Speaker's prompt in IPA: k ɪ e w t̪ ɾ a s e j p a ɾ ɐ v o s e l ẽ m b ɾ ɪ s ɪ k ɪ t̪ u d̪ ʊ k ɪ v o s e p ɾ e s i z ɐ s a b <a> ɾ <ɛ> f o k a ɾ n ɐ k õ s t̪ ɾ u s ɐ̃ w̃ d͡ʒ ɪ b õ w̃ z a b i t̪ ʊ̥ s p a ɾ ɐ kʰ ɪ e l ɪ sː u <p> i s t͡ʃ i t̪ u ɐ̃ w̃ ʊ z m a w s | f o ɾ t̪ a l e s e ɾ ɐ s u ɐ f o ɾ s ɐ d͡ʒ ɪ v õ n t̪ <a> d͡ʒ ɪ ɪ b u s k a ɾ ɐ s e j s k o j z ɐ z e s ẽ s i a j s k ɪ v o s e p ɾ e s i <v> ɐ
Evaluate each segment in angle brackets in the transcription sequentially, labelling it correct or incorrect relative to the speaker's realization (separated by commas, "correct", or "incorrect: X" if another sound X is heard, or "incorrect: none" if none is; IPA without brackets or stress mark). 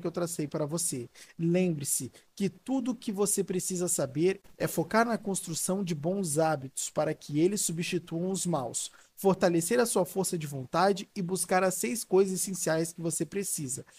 incorrect: e, correct, incorrect: b, correct, incorrect: z